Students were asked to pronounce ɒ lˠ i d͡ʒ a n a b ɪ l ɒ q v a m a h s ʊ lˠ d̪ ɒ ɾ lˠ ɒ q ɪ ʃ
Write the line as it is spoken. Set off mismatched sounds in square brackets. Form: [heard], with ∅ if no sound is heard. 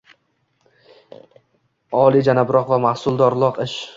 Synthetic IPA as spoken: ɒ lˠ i d͡ʒ a n a b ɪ [ɾ] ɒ q v a m a h s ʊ lˠ d̪ ɒ ɾ lˠ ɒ q ɪ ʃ